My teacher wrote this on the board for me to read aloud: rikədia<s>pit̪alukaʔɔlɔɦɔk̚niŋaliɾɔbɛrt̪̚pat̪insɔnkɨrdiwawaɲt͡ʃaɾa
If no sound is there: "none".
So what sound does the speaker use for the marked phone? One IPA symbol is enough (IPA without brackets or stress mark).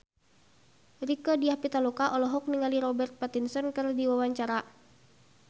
h